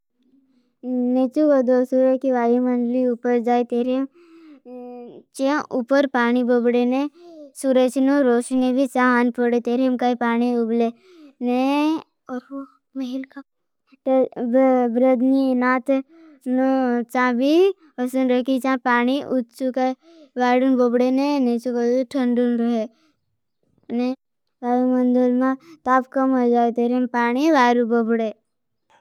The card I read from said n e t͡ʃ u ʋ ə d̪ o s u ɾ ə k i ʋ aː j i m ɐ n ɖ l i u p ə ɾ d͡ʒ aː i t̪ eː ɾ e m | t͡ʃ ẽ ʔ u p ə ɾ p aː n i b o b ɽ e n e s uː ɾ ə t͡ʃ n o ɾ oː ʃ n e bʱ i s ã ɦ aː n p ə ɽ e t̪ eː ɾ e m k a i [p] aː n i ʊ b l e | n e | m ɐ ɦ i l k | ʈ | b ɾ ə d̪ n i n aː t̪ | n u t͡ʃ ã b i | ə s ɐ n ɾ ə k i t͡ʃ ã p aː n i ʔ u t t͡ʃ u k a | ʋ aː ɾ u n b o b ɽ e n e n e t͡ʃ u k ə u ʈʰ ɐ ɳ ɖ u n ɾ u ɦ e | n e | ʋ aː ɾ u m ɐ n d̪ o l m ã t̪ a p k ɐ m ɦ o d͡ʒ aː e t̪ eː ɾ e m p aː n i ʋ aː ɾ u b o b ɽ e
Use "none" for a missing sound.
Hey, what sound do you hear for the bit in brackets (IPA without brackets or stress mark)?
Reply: p